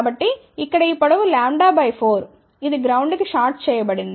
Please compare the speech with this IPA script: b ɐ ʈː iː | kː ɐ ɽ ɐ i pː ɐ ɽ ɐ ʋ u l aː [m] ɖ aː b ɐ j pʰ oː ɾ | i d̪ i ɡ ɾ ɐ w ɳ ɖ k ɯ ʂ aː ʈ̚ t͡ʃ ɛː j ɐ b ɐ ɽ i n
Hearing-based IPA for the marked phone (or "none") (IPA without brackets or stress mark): ɳ